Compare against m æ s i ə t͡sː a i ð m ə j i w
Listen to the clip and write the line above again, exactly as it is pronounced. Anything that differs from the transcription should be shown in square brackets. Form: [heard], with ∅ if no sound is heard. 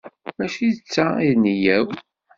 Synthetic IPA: m æ [ʃ] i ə t͡sː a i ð [n] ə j [æ] w